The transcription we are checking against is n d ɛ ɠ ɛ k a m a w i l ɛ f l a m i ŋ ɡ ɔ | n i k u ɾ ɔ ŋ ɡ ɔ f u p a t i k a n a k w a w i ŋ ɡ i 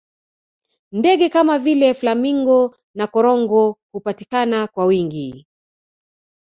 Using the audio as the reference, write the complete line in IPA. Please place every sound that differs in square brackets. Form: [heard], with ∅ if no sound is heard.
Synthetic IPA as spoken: n d ɛ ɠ ɛ k a m a [v] i l ɛ f l a m i ŋ ɡ ɔ | n [a] k [ɔ] ɾ ɔ ŋ ɡ ɔ [h] u p a t i k a n a k w a w i ŋ ɡ i